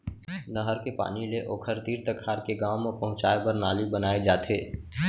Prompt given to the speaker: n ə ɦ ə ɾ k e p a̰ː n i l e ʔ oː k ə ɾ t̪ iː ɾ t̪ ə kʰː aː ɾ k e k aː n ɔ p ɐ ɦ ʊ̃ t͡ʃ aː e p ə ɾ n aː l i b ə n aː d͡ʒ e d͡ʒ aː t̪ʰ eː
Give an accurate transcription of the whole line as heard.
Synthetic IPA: n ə ɦ ə ɾ k e p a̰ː n i l e ʔ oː kʰ ə ɾ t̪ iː ɾ t̪ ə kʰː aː ɾ k e ɡ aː m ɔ p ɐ ɦ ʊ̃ t͡ʃ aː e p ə ɾ n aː l i b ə n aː e d͡ʒ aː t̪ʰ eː